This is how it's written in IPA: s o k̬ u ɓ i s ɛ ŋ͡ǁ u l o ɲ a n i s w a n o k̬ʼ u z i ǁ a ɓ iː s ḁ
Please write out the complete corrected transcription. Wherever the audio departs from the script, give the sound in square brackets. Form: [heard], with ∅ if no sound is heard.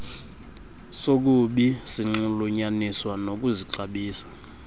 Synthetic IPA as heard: s o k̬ u ɓ i s [i] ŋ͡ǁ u l [u] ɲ a n i s w a n o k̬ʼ u z i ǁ a ɓ iː s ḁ

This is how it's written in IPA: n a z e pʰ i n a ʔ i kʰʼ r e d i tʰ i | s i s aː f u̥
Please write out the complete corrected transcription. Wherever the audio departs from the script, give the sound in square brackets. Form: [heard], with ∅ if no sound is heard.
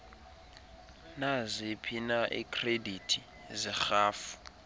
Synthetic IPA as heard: n a z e pʰ i n a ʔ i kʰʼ r e d i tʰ i | [z] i [x] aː f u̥

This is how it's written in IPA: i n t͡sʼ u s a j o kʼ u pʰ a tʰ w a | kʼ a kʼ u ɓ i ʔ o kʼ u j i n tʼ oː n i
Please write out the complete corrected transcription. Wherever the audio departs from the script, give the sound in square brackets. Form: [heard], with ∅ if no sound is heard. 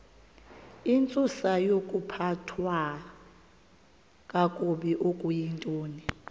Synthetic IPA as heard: i n t͡sʼ u s a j o kʼ u pʰ a tʰ w a | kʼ a kʼ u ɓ i ʔ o kʼ u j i n tʼ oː n i

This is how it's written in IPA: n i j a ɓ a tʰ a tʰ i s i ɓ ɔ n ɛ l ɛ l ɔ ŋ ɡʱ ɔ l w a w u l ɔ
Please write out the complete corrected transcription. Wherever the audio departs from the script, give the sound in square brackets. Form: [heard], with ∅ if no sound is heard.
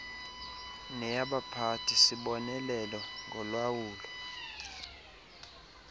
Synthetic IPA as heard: n [ɛ] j a ɓ a [pʰ] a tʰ i s i ɓ ɔ n ɛ l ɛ l ɔ ŋ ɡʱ ɔ l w a w [uː] l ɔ

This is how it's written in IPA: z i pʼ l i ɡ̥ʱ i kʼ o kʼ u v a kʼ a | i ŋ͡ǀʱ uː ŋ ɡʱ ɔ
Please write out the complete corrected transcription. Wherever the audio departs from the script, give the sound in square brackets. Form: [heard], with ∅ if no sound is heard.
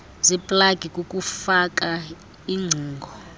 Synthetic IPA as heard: z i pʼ l [a] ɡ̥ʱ i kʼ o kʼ u [f] a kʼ a | i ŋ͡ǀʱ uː ŋ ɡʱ ɔ

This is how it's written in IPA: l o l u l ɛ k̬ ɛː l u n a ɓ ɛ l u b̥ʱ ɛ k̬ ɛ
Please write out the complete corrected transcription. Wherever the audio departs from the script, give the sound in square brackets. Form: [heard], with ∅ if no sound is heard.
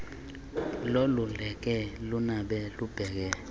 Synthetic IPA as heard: l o l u l ɛ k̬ [ɛ] l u n a ɓ ɛ l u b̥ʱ ɛ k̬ ɛ

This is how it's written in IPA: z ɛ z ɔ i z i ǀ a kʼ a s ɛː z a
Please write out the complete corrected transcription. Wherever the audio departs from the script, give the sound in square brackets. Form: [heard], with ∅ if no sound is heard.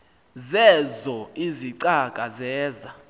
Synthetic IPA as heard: z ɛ z ɔ i z i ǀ a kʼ a [z] ɛː z a

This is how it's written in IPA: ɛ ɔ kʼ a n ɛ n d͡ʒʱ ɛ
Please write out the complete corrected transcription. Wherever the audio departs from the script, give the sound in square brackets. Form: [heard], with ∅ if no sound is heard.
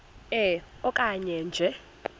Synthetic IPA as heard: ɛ ɔ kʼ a [ɲ] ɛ n d͡ʒʱ ɛ

